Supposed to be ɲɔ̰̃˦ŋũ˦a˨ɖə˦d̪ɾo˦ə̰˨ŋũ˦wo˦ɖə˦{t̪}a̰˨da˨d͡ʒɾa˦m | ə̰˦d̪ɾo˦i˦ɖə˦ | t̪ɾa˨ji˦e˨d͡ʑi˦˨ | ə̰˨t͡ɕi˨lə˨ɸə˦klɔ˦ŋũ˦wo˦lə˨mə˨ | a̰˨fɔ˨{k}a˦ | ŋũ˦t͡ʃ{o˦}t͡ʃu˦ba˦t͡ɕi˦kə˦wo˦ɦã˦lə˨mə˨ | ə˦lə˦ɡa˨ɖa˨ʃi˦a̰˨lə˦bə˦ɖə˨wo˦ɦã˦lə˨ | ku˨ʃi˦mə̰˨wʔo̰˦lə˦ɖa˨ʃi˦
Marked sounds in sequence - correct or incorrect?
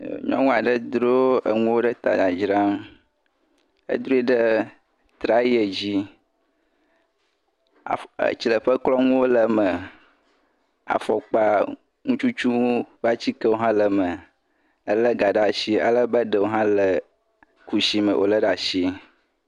correct, incorrect, incorrect

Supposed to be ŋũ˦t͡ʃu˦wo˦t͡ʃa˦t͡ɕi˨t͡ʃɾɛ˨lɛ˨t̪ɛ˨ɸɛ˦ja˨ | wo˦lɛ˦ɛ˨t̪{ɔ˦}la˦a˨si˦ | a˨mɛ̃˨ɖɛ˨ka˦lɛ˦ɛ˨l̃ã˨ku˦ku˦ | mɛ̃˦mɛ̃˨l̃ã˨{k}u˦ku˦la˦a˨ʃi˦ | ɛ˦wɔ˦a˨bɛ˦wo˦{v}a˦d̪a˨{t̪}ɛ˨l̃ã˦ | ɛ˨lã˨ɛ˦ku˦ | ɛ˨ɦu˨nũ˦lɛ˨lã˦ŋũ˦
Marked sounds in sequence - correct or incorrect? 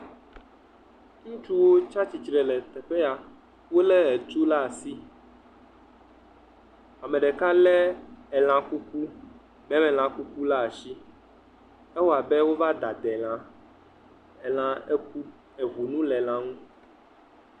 incorrect, correct, correct, incorrect

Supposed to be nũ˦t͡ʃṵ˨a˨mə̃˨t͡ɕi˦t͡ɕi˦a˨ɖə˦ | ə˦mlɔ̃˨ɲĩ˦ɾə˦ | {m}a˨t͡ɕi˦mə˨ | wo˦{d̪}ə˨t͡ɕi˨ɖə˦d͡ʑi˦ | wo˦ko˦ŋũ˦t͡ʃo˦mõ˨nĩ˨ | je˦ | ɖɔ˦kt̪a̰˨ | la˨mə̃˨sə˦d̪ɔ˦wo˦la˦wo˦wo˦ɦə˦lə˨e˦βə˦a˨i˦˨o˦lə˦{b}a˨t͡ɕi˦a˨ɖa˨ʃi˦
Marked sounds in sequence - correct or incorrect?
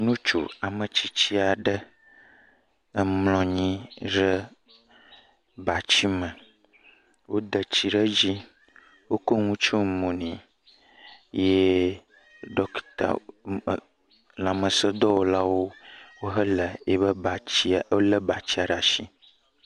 incorrect, correct, correct

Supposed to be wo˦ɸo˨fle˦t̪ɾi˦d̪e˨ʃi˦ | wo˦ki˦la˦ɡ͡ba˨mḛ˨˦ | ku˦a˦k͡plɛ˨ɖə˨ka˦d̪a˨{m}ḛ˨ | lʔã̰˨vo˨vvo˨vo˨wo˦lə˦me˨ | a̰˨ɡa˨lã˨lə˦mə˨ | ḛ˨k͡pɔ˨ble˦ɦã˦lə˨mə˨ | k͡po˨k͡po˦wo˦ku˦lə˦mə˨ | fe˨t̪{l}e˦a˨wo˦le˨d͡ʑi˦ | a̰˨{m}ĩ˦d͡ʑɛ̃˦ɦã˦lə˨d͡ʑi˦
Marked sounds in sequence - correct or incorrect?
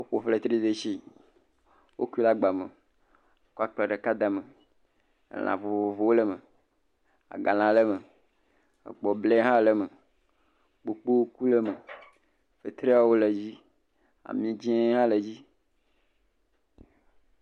correct, incorrect, correct

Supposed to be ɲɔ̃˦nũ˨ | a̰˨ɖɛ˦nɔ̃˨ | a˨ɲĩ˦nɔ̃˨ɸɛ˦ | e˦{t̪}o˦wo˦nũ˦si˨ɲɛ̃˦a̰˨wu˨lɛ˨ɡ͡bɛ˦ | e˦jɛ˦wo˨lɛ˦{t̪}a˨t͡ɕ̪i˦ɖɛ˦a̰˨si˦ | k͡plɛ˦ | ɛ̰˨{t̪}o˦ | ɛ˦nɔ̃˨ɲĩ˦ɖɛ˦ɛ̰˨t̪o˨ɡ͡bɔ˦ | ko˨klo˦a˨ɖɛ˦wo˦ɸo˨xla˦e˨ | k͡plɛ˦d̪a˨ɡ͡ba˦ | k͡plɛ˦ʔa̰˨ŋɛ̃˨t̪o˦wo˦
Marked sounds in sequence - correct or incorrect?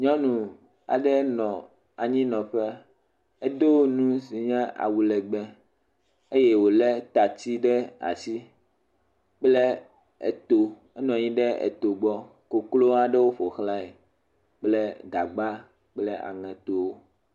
incorrect, correct, correct

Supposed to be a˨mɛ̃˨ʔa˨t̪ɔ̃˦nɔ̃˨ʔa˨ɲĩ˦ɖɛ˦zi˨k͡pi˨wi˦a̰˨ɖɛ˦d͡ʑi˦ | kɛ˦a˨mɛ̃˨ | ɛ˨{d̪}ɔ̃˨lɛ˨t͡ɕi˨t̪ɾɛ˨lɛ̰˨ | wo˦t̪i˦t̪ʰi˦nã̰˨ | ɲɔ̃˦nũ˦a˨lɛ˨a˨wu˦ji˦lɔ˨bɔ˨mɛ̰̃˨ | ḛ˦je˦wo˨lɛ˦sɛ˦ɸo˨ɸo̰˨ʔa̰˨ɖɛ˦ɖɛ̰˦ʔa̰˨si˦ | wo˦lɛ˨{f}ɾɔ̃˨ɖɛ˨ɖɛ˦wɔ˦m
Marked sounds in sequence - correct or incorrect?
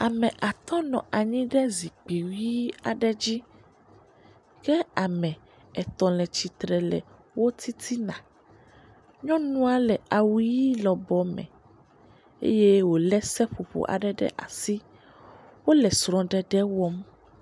incorrect, incorrect

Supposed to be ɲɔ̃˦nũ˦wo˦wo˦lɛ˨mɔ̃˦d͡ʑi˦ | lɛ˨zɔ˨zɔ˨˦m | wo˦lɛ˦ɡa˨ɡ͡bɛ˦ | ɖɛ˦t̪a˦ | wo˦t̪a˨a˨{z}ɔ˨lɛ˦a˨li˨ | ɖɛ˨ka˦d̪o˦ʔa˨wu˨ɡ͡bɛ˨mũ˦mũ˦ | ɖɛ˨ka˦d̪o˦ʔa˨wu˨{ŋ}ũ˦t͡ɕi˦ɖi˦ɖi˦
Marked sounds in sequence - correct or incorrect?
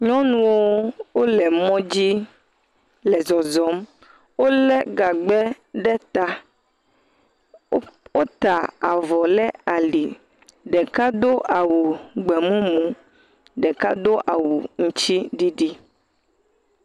incorrect, correct

